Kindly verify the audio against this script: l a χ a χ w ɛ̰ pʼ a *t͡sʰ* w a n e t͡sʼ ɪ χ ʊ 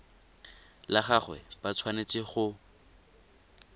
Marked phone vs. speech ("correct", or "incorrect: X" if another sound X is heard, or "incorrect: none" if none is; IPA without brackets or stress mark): correct